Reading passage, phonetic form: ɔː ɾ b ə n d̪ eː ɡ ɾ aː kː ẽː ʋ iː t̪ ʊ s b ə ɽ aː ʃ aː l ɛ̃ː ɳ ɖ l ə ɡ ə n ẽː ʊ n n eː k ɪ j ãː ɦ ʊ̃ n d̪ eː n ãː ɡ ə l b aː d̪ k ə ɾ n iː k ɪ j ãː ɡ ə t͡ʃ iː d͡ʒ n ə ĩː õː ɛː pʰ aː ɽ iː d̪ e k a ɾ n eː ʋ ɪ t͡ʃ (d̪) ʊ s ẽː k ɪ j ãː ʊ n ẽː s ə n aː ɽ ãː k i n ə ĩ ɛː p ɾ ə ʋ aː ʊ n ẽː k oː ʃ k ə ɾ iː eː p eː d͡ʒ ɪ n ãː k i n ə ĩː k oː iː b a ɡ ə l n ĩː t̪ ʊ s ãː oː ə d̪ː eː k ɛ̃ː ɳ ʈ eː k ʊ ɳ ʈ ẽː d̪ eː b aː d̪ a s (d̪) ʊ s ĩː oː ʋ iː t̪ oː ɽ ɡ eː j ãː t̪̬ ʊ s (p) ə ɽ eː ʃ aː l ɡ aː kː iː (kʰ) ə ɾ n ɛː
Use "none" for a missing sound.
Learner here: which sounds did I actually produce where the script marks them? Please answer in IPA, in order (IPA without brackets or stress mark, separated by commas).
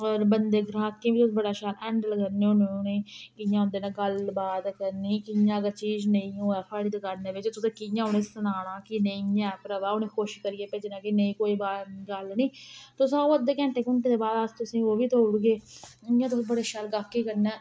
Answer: t̪, t̪, b, k